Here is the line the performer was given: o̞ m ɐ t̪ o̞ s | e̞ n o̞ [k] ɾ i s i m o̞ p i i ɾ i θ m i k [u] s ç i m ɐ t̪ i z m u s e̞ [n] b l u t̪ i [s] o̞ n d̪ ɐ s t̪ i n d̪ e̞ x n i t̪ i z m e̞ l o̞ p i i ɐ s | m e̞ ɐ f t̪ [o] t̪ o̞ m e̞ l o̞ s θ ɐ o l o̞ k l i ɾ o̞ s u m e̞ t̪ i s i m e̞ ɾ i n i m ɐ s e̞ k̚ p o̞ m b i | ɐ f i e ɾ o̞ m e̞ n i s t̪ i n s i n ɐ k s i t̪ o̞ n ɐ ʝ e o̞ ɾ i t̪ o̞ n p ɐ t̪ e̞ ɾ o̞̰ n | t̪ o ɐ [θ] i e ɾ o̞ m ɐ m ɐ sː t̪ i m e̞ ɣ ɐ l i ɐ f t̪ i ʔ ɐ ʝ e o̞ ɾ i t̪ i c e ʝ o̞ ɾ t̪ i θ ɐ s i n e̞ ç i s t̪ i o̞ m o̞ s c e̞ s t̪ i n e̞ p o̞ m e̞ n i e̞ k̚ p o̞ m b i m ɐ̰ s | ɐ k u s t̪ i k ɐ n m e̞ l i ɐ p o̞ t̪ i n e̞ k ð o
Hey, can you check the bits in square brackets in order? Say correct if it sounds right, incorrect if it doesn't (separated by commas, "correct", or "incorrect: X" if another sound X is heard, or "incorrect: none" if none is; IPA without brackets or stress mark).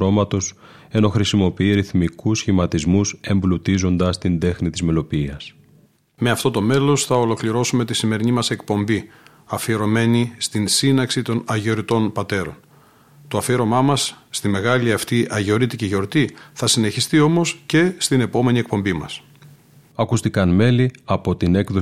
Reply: incorrect: x, correct, incorrect: m, incorrect: z, correct, incorrect: f